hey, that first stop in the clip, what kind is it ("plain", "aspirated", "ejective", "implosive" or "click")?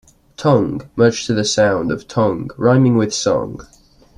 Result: aspirated